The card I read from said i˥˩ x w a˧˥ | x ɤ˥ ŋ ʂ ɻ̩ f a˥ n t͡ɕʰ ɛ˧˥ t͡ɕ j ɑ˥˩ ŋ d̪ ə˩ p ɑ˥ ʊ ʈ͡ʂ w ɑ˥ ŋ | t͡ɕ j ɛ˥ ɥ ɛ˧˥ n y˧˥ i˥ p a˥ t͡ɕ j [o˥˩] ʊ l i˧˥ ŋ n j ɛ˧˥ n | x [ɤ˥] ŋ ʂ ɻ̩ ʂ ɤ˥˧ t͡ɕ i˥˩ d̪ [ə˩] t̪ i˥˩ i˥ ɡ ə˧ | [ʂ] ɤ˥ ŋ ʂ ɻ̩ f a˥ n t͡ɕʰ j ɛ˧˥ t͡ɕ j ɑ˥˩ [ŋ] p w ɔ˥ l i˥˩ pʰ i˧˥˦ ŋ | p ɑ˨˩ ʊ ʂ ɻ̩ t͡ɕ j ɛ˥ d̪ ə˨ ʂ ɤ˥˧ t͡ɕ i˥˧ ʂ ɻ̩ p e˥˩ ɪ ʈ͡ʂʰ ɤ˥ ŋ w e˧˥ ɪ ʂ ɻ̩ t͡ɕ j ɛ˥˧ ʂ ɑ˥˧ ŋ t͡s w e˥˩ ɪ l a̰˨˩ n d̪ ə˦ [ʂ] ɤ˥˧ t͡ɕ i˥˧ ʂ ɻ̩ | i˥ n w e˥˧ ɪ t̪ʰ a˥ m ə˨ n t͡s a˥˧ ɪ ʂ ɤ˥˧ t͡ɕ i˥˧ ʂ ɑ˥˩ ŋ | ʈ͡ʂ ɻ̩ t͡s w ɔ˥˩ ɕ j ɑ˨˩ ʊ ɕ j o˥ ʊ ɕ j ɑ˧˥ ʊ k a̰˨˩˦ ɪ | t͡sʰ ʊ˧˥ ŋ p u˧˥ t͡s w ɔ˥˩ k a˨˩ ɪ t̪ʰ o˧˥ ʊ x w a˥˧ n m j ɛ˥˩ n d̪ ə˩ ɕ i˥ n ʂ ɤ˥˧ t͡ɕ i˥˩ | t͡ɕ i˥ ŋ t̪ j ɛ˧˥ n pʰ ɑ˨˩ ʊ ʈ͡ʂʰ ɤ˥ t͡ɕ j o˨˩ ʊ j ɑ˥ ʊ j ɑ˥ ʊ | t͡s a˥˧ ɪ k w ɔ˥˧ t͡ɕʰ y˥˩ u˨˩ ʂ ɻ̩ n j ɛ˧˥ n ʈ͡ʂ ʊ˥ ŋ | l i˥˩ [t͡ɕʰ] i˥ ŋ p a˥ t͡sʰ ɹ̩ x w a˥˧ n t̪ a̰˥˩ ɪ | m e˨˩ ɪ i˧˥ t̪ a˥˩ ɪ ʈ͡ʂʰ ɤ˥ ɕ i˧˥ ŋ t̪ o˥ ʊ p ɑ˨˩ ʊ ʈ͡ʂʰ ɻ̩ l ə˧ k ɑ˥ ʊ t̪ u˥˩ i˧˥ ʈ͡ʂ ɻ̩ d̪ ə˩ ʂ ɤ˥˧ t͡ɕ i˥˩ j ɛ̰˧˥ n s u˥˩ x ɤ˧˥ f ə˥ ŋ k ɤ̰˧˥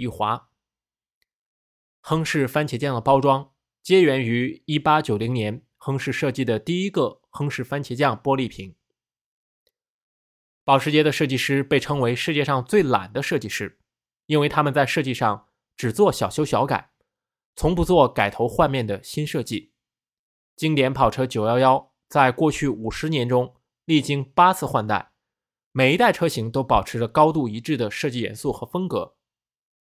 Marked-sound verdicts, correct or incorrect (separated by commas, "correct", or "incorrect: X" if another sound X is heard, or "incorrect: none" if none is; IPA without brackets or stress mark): incorrect: o˨˩, correct, correct, incorrect: x, correct, correct, incorrect: t͡ɕ